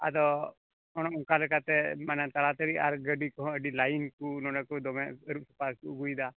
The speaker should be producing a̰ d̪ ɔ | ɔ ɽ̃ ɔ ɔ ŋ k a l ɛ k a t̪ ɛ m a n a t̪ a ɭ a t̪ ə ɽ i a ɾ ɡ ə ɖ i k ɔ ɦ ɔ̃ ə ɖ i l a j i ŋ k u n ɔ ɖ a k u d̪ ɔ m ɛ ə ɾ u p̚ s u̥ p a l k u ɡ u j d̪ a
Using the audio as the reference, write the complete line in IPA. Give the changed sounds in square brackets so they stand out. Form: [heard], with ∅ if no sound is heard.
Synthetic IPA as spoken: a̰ d̪ ɔ | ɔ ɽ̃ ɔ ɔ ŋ k a l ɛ k a t̪ ɛ m a n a t̪ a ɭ a t̪ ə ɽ i a ɾ ɡ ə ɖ i k ɔ ɦ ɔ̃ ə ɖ i l a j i [n] k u n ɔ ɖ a k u d̪ ɔ m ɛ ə ɾ u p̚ s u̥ p a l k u ɡ u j d̪ a